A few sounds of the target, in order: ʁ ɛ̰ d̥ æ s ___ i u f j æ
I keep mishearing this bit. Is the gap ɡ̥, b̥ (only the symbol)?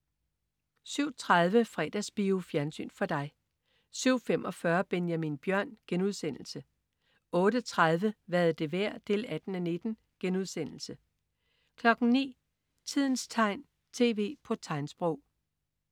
b̥